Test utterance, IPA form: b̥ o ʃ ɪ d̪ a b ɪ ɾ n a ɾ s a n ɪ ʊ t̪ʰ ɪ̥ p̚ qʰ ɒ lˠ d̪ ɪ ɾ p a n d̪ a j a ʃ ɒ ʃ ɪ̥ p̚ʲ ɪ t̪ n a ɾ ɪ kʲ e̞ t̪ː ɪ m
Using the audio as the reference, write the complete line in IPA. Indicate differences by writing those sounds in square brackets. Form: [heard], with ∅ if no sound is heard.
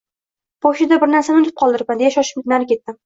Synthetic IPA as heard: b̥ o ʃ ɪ d̪ a b ɪ ɾ n a ɾ s a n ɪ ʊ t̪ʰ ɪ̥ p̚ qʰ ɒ lˠ d̪ ɪ ɾ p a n d̪ [e] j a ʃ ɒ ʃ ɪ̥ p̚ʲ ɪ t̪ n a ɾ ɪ kʲ e̞ t̪ː ɪ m